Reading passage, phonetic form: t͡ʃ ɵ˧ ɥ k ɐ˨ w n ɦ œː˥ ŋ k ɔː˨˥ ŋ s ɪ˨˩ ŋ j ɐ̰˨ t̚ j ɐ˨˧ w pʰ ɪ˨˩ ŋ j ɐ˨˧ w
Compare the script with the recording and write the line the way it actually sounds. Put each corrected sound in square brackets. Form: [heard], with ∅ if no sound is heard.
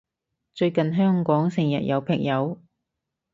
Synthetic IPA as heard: t͡ʃ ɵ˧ ɥ k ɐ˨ [∅] n ɦ œː˥ ŋ k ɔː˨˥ ŋ s ɪ˨˩ ŋ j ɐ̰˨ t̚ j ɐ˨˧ w pʰ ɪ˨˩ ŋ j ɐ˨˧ w